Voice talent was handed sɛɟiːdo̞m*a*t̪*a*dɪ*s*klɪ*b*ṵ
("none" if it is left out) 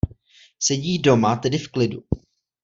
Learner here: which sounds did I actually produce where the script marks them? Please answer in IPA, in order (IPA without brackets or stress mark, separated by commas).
a, ɛ, f, d